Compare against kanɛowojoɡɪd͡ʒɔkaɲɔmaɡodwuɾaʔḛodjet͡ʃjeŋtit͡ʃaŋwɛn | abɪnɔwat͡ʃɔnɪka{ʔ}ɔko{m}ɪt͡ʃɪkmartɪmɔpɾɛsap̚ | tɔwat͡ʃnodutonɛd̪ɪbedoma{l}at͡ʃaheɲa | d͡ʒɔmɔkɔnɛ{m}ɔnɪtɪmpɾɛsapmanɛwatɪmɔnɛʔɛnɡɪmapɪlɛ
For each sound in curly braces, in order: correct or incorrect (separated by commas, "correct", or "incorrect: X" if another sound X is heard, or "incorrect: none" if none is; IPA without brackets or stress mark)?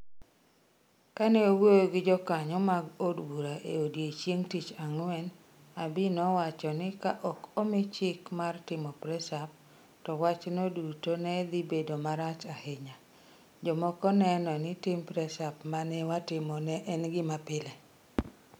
correct, correct, incorrect: ɾ, incorrect: n